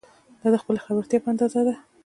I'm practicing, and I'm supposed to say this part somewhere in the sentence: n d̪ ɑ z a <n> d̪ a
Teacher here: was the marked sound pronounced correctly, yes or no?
no